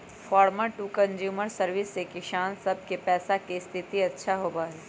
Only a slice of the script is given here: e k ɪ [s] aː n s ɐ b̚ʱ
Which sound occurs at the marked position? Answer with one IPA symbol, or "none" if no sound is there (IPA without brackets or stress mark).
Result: ʃ